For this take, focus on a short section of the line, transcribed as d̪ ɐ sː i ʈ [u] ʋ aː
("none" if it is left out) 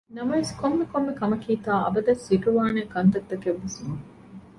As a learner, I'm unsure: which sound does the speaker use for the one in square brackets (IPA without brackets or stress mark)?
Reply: u